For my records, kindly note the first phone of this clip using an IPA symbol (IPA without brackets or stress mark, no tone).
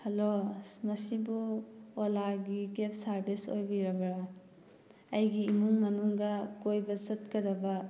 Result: h